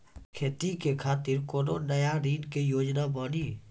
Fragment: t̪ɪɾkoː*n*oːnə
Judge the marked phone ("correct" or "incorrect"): correct